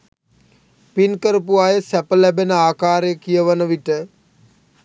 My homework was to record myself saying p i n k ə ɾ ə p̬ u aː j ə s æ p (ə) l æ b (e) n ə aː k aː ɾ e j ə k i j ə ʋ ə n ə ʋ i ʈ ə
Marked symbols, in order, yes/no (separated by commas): yes, yes